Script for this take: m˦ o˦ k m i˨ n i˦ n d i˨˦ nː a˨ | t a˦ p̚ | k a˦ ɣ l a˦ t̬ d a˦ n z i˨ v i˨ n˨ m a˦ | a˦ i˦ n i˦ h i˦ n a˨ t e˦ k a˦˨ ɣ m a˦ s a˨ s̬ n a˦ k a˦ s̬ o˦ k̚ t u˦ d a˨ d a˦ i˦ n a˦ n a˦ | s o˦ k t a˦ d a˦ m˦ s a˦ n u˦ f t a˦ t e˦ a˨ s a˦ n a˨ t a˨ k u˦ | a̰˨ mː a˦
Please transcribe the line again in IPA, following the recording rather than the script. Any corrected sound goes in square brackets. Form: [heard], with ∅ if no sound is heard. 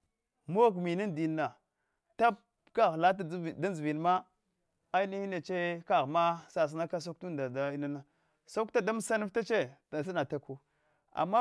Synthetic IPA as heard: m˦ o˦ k m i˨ n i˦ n d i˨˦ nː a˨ | t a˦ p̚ | k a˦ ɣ l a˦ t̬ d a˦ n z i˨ v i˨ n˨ m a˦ | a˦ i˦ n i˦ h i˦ n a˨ [t͡ʃ] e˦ k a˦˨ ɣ m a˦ s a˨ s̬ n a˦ k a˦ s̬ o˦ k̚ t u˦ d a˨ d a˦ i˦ n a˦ n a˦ | s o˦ k t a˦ d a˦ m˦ s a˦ n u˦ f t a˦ [t͡ʃ] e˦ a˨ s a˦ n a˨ t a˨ k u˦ | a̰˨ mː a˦